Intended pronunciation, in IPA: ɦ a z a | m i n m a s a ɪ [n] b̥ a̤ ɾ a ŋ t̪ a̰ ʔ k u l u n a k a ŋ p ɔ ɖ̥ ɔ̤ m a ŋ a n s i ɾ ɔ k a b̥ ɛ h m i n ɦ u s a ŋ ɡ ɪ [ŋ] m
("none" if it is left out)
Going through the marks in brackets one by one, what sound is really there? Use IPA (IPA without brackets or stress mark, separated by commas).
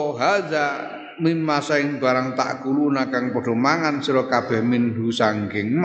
ŋ, ŋ